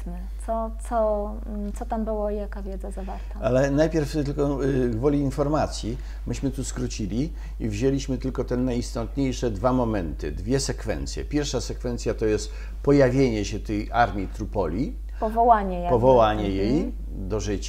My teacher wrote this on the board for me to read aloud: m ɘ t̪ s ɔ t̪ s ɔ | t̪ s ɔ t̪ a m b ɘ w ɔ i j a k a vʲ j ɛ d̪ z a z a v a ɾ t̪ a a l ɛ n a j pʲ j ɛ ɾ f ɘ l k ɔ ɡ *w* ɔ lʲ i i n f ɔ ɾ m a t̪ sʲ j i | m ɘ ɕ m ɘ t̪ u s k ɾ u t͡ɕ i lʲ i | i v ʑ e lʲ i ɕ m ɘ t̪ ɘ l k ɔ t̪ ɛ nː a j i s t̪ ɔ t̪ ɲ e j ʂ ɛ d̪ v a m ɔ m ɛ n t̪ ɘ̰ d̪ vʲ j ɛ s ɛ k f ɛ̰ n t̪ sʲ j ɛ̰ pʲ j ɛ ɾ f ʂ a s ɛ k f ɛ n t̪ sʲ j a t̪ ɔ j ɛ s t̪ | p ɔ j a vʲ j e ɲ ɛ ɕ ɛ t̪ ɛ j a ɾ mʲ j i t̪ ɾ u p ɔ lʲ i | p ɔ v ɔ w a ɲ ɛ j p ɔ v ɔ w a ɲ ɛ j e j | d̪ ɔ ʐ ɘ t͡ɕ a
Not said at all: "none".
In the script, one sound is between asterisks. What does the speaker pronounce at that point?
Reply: v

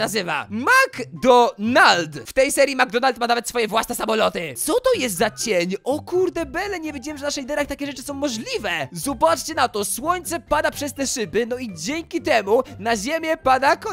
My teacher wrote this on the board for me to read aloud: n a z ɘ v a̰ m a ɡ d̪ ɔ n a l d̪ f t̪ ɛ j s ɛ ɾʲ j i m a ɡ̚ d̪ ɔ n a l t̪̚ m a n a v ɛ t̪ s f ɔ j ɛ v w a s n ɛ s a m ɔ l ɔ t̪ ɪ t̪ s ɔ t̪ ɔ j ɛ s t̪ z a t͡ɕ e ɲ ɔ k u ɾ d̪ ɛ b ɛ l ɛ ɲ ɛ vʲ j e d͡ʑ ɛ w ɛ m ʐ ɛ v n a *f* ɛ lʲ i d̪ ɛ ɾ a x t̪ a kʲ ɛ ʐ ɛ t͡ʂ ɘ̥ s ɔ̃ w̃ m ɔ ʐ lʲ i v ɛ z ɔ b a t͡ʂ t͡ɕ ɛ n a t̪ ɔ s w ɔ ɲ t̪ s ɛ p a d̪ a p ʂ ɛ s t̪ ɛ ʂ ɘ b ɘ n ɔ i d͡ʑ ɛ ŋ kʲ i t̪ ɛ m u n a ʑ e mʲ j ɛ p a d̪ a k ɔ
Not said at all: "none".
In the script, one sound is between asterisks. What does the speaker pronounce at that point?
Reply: ʂ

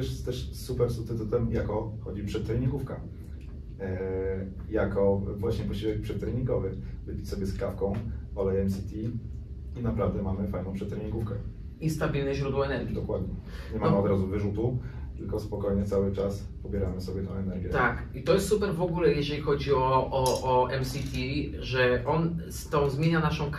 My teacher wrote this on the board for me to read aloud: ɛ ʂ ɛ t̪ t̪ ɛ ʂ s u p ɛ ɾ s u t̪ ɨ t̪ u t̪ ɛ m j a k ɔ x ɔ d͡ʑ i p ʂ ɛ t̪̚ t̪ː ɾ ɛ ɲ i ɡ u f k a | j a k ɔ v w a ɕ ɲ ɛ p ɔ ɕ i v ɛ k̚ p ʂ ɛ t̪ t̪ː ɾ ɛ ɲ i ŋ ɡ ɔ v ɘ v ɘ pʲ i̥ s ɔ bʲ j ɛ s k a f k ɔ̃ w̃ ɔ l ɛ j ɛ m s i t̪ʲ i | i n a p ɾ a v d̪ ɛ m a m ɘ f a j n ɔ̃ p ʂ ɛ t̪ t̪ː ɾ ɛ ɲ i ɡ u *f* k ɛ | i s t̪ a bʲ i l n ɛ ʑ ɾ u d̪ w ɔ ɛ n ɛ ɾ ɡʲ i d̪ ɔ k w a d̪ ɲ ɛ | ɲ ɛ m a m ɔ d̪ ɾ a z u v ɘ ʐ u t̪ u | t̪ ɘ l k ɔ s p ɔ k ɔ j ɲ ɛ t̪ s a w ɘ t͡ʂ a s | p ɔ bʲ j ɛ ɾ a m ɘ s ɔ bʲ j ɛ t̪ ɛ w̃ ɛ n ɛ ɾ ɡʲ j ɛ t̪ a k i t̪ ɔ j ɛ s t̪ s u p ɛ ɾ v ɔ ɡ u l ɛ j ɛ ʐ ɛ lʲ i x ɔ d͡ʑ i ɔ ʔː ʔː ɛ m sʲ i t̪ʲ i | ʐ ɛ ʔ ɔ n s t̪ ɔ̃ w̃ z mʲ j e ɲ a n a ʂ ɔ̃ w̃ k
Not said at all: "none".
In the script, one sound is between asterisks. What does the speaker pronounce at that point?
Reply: f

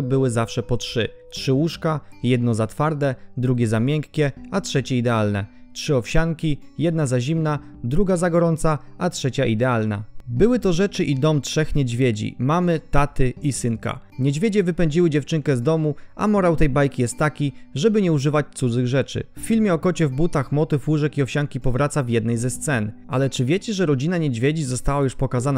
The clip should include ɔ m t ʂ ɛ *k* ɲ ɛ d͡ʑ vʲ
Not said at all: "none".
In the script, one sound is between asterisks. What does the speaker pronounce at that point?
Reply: x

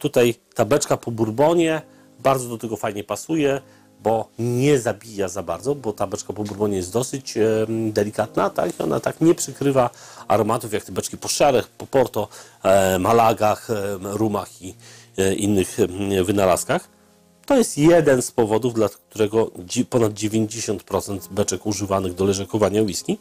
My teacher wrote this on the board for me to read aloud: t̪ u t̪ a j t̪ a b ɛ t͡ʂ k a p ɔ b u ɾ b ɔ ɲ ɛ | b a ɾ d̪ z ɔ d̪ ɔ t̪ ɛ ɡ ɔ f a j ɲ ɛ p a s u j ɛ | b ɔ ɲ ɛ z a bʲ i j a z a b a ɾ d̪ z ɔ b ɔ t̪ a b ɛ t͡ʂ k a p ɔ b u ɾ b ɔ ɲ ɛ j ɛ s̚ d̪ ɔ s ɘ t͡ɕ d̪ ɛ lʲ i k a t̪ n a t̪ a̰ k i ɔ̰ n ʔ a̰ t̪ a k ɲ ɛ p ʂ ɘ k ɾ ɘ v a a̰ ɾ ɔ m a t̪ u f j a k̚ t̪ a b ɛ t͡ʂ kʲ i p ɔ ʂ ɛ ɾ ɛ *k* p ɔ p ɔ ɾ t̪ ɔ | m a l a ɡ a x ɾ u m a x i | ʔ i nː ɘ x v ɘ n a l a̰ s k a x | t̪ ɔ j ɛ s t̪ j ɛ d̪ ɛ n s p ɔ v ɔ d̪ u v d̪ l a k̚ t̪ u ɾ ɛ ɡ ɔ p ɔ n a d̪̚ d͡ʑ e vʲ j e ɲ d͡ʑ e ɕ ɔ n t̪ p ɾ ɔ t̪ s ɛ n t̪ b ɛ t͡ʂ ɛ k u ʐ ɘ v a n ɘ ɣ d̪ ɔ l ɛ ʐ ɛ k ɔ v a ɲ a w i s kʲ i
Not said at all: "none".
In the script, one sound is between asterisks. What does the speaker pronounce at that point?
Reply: x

